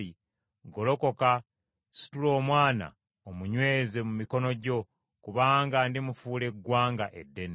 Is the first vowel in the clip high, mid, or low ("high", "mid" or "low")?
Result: high